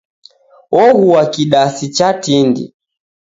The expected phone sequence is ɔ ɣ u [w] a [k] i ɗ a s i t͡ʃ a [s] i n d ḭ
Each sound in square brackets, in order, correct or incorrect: correct, correct, incorrect: t

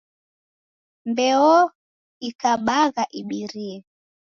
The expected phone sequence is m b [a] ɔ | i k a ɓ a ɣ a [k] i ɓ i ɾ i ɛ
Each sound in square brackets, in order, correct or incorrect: incorrect: ɛ, incorrect: ʔ

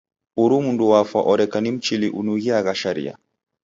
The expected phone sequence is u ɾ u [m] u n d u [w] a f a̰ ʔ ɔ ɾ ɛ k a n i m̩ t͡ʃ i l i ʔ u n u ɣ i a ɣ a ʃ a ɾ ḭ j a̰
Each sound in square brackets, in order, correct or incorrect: correct, correct

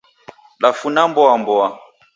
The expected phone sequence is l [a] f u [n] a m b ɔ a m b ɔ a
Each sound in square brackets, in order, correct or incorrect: correct, correct

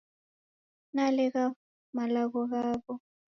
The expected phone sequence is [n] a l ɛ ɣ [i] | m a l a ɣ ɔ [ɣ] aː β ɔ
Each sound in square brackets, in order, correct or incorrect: correct, incorrect: a, correct

